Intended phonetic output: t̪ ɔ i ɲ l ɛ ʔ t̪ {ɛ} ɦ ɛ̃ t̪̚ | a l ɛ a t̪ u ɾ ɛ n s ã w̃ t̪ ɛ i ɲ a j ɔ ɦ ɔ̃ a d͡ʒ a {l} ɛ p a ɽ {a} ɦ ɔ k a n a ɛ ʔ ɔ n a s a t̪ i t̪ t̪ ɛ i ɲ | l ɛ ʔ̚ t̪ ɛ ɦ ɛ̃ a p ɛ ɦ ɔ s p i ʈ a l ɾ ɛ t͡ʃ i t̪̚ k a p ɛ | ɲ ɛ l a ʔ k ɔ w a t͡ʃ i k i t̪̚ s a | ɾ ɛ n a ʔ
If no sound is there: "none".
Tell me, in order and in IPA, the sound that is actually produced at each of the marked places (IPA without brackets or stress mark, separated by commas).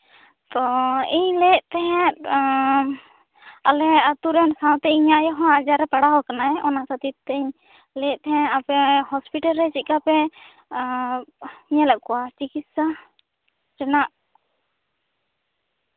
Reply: ɛ, ɾ, a